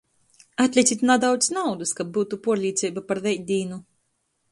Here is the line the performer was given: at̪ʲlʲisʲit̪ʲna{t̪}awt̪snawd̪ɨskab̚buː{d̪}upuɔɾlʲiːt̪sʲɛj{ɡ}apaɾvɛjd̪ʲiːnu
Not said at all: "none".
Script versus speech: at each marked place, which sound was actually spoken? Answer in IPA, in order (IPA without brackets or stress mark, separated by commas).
d̪, t̪, b